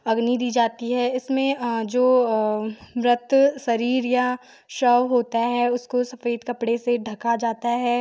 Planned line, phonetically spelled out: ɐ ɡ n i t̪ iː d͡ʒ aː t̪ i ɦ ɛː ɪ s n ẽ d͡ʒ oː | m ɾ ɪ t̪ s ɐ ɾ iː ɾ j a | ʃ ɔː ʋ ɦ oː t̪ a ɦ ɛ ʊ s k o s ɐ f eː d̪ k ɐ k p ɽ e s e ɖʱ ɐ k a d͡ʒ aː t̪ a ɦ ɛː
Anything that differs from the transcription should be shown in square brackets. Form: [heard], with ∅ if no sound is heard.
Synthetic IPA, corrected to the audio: ɐ ɡ n i [d̪] iː d͡ʒ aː t̪ i ɦ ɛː ɪ s [m] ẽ d͡ʒ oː | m ɾ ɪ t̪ s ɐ ɾ iː ɾ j a | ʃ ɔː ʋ ɦ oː t̪ a ɦ ɛ ʊ s k o s ɐ f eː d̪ k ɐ [∅] p ɽ e s e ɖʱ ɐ k a d͡ʒ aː t̪ a ɦ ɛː